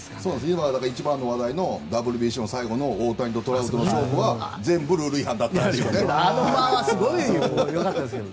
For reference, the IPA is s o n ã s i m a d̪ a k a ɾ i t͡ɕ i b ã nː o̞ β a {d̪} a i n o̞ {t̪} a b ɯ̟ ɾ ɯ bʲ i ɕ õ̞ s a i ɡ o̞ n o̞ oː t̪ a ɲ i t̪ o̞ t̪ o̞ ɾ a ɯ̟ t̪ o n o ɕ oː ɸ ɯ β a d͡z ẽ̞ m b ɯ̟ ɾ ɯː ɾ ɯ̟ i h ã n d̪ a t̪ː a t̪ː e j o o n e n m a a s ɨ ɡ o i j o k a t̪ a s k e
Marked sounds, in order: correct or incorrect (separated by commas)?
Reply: correct, incorrect